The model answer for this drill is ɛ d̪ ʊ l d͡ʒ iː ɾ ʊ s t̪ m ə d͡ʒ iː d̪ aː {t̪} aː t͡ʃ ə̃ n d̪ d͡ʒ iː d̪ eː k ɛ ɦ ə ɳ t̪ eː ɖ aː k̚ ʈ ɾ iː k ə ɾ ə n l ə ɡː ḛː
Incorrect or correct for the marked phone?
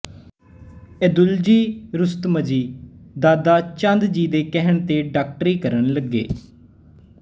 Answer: incorrect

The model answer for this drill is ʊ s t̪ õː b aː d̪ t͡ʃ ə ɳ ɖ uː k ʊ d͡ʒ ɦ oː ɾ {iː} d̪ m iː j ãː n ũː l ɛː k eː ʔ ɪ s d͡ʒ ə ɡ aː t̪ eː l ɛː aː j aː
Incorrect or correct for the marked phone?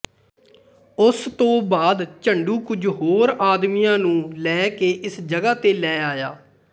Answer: incorrect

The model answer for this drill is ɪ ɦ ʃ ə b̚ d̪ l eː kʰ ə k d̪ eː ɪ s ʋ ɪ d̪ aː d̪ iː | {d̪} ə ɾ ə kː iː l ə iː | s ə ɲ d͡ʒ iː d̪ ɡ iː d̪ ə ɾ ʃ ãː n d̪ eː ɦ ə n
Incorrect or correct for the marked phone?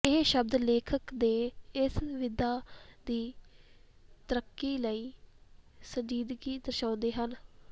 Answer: incorrect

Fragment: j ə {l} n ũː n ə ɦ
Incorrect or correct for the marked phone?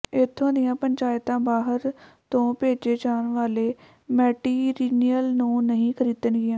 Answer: correct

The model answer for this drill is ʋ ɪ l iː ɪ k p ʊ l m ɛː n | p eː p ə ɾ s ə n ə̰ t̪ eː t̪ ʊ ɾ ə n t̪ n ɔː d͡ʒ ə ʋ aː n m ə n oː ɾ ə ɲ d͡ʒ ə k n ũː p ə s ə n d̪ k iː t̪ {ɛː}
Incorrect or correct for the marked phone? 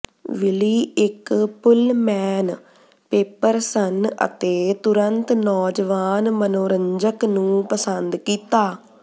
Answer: incorrect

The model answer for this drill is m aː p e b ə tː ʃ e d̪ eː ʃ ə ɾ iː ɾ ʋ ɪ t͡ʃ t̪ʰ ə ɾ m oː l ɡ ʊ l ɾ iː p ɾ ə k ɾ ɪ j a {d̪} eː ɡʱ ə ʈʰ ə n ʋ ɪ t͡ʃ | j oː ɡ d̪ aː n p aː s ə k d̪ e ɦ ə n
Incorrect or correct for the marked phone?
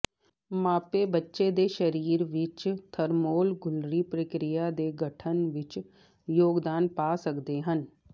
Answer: correct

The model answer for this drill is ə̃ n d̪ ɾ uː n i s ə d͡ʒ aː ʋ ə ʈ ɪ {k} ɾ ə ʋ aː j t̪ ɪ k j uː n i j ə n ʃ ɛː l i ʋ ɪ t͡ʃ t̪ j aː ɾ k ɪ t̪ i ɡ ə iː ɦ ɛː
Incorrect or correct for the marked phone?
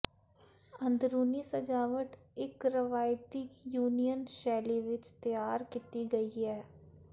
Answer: correct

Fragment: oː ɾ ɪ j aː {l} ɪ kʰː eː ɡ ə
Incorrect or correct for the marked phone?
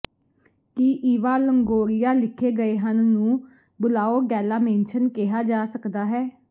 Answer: correct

